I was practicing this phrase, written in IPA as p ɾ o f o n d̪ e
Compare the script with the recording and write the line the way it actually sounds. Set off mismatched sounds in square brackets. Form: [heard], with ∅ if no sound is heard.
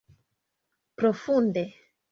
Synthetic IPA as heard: p ɾ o f [u] n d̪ e